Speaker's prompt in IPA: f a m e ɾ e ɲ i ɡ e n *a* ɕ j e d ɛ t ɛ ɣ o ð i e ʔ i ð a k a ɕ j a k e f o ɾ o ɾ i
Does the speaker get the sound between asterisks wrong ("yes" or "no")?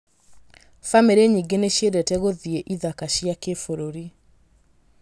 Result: yes